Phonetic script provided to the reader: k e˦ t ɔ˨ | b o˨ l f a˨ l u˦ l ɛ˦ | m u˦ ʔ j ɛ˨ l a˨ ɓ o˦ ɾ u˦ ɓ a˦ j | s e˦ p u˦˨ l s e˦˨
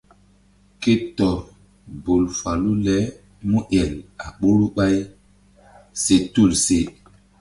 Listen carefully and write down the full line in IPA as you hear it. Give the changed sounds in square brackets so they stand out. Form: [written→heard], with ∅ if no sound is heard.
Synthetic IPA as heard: k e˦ t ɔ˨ | b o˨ l f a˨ l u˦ l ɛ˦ | m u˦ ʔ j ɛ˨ l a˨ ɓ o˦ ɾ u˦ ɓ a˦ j | s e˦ [p→t] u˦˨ l s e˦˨

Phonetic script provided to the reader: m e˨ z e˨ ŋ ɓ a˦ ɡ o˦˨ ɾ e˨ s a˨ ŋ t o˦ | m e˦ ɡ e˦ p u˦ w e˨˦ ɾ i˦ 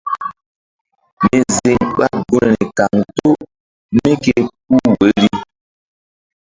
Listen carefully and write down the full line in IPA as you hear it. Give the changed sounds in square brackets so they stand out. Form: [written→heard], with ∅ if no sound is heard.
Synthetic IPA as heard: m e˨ z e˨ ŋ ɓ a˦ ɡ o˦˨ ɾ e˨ [s→t] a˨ ŋ t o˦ | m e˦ [ɡ→k] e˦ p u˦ w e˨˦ ɾ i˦

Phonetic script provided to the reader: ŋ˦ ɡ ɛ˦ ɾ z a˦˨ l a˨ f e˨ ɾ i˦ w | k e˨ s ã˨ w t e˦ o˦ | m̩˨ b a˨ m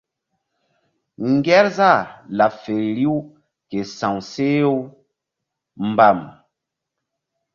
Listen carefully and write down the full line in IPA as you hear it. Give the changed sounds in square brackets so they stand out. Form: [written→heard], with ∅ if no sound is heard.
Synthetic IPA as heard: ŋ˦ ɡ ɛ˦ ɾ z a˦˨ l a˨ f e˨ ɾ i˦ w | k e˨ s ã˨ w [t→s] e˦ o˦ | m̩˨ b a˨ m

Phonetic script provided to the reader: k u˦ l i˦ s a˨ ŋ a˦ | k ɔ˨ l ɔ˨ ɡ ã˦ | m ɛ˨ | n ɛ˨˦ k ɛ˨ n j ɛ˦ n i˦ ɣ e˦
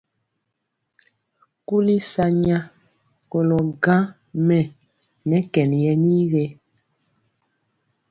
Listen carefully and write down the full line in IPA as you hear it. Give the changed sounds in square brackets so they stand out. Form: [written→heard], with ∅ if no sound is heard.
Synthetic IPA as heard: k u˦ l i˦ s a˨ [ŋ→ɲ] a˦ | k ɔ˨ l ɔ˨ ɡ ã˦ | m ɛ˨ | n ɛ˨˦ k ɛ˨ n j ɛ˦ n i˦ ɣ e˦

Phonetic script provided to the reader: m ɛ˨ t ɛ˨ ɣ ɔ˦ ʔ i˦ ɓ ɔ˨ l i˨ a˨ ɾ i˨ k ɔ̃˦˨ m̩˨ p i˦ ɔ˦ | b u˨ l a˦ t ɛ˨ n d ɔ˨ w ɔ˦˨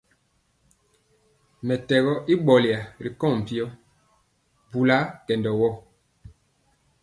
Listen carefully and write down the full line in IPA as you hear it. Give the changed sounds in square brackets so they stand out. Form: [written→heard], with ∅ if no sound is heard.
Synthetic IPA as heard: m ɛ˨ t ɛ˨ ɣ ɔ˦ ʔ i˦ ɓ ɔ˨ l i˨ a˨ ɾ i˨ k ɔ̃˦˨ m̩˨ p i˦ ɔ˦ | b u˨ l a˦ [t→k] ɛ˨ n d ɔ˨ w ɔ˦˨

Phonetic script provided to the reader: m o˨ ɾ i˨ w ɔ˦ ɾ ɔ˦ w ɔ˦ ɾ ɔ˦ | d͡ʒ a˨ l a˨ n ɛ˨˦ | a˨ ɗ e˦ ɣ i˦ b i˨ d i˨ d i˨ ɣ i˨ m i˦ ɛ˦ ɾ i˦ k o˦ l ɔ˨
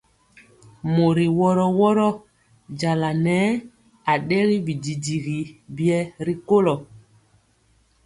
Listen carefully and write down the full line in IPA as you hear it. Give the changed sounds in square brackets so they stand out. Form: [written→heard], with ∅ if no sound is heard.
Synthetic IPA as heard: m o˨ ɾ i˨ w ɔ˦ ɾ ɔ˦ w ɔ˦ ɾ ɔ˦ | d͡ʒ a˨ l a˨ n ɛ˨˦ | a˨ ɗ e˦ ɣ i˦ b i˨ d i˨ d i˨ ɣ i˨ [m→b] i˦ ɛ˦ ɾ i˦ k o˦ l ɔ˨

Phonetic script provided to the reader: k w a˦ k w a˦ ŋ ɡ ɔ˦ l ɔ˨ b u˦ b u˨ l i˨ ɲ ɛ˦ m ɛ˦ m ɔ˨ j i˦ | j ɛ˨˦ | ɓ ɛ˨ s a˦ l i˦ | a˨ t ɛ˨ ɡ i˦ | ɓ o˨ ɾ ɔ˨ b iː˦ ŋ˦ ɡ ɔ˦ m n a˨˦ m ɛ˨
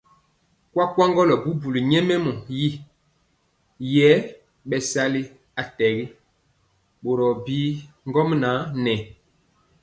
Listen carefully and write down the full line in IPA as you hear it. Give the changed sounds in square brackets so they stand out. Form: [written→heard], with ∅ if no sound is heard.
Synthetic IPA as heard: k w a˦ k w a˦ ŋ ɡ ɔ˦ l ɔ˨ b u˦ b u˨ l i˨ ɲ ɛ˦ m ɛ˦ m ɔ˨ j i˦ | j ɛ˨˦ | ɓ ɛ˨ s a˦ l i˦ | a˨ t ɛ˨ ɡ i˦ | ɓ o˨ ɾ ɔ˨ b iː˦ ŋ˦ ɡ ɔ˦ m n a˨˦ [m→n] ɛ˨

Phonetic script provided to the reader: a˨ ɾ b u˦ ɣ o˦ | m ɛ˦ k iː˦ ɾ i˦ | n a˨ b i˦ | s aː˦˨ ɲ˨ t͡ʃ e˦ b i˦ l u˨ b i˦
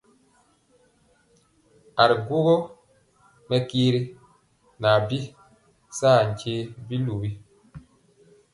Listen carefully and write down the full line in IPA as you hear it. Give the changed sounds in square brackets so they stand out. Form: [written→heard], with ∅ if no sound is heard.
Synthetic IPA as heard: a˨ ɾ [b→ɡ] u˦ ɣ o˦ | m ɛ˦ k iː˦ ɾ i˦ | n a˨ b i˦ | s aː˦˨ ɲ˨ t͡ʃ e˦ b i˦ l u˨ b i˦

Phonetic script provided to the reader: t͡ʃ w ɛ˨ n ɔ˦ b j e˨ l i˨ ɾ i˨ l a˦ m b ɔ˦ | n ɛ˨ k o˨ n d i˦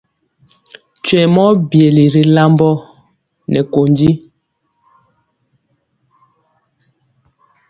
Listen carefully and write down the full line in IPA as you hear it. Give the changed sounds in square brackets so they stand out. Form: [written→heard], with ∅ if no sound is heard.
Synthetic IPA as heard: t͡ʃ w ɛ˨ [n→m] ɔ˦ b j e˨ l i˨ ɾ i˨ l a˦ m b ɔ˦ | n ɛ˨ k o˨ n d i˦

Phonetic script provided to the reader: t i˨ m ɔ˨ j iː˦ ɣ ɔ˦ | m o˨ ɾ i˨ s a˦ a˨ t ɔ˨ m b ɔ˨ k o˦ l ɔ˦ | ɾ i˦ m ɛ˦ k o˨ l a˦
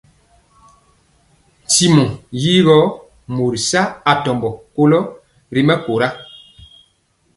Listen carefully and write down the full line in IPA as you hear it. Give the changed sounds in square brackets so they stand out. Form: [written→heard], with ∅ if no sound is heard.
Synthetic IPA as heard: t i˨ m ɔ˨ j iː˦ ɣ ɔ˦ | m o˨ ɾ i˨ s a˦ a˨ t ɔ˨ m b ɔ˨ k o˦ l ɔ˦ | ɾ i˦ m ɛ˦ k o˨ [l→ɾ] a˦

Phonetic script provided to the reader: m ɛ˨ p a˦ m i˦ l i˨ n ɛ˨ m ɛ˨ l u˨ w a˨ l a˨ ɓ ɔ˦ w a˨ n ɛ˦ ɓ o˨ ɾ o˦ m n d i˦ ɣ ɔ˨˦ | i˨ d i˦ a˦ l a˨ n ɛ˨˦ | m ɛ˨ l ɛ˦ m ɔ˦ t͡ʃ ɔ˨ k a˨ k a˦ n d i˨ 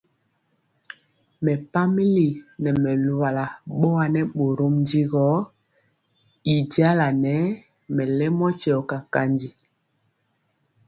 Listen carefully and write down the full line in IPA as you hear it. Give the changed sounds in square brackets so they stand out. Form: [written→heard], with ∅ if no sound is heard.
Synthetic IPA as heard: m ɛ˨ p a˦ m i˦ l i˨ n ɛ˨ m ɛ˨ l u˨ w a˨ l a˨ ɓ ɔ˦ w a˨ n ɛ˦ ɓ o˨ ɾ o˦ m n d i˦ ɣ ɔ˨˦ | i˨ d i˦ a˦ l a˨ n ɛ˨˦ | m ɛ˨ l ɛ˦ m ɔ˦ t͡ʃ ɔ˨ k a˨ k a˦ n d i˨

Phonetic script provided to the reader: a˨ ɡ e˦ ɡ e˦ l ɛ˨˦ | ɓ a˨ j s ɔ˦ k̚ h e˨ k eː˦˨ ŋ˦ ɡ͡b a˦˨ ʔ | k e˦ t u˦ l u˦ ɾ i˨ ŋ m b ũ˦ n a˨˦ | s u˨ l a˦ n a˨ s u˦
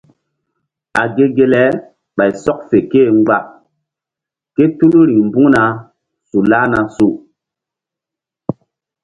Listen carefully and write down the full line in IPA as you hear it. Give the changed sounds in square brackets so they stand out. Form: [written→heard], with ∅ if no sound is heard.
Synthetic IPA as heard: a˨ ɡ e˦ ɡ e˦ l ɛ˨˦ | ɓ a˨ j s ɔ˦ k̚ [h→f] e˨ k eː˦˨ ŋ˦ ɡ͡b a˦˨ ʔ | k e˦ t u˦ l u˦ ɾ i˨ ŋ m b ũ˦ n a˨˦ | s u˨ l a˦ n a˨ s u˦

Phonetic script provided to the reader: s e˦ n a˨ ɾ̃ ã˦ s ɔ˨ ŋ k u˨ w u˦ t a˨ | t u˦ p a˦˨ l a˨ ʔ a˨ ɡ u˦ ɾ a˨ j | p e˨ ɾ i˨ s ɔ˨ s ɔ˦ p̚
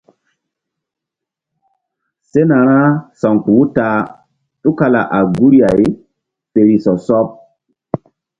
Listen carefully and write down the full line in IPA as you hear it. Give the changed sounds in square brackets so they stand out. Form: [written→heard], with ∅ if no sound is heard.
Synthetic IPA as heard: s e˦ n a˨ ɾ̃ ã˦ s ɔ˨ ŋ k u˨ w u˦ t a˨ | t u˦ [p→k] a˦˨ l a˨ ʔ a˨ ɡ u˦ ɾ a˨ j | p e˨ ɾ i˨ s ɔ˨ s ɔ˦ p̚

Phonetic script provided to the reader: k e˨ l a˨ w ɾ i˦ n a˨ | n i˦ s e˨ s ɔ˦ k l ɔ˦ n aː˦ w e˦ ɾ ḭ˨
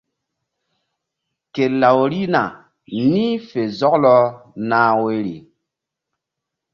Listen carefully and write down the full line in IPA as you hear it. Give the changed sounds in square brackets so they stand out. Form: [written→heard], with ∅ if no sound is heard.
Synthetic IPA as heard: k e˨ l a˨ w ɾ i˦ n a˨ | n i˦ [s→f] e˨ [s→z] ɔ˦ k l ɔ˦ n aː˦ w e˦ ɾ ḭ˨

